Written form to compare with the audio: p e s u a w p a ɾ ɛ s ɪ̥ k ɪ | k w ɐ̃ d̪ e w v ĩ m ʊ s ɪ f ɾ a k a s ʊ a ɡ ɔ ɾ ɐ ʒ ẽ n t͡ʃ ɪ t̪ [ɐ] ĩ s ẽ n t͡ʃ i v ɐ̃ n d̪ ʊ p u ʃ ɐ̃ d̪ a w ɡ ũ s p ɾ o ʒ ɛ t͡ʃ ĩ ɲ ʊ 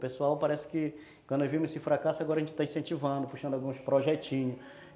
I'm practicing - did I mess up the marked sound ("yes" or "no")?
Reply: yes